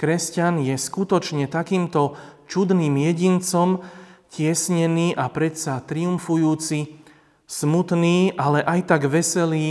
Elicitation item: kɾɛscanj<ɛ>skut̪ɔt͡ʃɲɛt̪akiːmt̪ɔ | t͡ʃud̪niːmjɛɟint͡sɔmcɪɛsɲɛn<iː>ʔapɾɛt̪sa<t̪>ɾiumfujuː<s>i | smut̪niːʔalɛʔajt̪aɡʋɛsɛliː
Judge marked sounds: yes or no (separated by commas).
yes, yes, yes, no